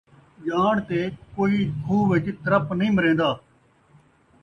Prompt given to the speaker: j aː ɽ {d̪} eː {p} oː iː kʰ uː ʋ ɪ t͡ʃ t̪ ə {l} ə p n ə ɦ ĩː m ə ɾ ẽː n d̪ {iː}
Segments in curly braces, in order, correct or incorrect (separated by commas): incorrect, incorrect, incorrect, incorrect